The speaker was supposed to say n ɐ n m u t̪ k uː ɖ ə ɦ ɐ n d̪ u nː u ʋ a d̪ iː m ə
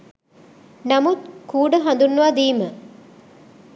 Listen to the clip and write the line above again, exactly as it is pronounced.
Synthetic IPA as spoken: n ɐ m u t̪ k uː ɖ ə ɦ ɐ n d̪ u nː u ʋ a d̪ iː m ə